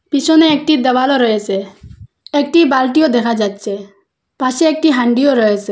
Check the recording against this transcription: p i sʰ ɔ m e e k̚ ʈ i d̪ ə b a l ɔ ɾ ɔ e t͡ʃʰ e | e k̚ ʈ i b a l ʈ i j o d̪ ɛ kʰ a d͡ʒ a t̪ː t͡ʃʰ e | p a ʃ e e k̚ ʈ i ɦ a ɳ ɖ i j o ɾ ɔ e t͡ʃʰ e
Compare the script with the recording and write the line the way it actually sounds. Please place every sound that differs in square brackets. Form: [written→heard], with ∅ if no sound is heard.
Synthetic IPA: p i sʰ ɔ [m→n] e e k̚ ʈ i d̪ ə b a l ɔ ɾ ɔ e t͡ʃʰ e | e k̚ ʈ i b a l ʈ i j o d̪ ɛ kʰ a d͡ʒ a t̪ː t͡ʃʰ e | p a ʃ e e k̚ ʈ i ɦ a ɳ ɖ i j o ɾ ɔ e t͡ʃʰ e